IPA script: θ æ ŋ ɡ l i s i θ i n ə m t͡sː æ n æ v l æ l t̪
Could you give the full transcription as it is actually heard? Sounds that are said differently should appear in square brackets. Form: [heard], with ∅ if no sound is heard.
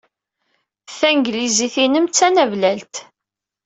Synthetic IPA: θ æ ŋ ɡ l i [z] i θ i n ə m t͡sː æ n æ v l æ l t̪